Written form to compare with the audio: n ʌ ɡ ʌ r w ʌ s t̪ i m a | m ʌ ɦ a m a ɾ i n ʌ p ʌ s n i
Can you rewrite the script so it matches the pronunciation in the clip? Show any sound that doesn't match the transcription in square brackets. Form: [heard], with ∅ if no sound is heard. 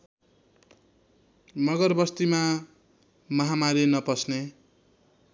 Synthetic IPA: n ʌ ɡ ʌ r [b] ʌ s t̪ i m a | m ʌ ɦ a m a ɾ i n ʌ p ʌ s n [e]